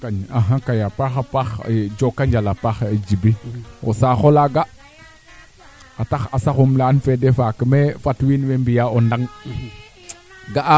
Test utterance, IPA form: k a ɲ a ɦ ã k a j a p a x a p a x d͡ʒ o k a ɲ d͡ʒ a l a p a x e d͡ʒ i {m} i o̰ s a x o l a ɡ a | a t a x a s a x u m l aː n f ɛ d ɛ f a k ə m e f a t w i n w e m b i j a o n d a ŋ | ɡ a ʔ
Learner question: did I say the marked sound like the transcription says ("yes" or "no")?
no